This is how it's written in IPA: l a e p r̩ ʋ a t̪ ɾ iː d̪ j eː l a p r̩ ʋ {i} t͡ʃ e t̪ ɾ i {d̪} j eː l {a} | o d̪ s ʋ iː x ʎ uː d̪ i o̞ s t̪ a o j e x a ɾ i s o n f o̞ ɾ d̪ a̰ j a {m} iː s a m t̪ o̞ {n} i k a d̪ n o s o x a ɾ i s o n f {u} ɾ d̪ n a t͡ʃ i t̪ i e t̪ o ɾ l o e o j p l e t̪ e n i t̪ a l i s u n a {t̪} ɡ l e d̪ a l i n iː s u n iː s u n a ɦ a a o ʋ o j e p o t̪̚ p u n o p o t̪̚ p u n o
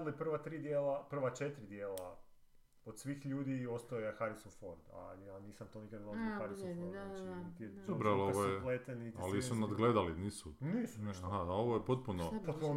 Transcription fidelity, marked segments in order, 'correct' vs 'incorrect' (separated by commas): incorrect, correct, correct, incorrect, correct, incorrect, incorrect